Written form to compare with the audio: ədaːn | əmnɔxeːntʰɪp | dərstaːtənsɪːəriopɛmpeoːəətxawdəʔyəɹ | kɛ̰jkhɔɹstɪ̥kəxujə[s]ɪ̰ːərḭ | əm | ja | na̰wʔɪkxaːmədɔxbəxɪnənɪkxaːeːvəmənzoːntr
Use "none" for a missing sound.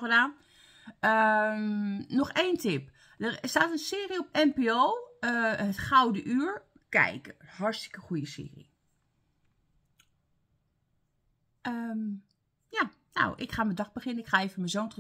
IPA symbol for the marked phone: s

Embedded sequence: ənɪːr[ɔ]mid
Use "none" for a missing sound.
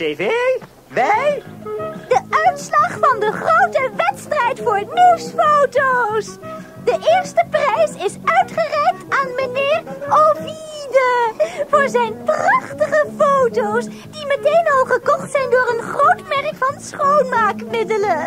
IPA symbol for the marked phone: o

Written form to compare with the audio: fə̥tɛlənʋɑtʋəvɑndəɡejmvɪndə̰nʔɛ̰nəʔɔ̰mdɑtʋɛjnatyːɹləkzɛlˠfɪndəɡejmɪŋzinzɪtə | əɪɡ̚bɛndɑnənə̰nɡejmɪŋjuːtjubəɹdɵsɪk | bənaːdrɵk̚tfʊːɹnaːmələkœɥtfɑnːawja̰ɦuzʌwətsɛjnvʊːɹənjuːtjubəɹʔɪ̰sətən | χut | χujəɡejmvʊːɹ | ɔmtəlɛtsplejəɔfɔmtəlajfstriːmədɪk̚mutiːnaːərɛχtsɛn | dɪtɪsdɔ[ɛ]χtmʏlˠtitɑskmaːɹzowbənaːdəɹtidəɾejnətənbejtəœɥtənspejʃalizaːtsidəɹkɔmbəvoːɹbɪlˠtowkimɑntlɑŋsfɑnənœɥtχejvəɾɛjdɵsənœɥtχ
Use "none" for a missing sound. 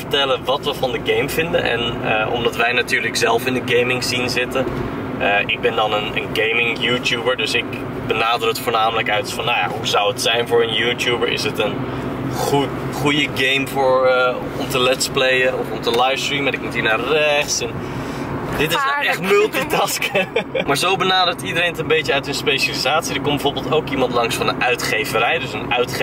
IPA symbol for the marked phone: ɛ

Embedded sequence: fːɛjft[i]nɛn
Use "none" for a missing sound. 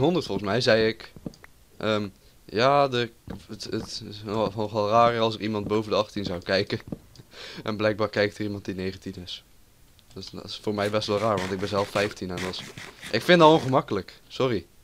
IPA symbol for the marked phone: i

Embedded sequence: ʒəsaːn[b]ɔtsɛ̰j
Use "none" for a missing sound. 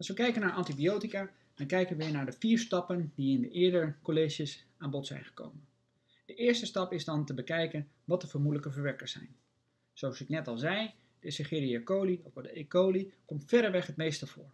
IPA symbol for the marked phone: b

